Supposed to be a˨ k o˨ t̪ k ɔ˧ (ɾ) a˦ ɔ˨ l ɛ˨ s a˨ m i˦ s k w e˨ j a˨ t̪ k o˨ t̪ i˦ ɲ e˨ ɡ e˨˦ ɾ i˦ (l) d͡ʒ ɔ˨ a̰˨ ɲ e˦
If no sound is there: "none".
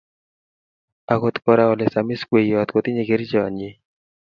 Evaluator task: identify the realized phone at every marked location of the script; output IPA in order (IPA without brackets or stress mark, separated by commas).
ɾ, none